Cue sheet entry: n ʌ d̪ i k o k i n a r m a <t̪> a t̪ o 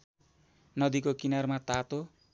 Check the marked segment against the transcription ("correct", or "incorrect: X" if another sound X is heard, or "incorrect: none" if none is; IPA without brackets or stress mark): correct